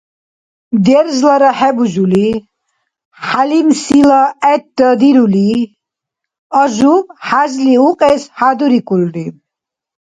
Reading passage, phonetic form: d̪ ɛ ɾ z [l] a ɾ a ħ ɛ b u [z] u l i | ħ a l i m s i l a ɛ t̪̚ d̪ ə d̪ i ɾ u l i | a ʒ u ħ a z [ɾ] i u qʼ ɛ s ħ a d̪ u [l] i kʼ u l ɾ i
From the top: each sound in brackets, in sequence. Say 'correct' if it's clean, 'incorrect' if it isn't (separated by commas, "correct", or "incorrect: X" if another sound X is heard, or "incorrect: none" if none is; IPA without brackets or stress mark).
correct, incorrect: ʒ, incorrect: l, incorrect: ɾ